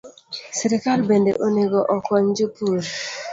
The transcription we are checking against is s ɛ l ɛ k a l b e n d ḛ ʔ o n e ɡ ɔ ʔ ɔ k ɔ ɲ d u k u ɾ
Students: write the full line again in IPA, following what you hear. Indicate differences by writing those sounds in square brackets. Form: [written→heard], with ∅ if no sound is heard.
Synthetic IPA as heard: s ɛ [l→ɾ] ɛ k a l b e n d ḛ ʔ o n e ɡ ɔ ʔ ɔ k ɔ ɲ [d→d͡ʒ] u [k→p] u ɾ